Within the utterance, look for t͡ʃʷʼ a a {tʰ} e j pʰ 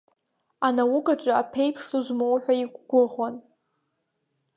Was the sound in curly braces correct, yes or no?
no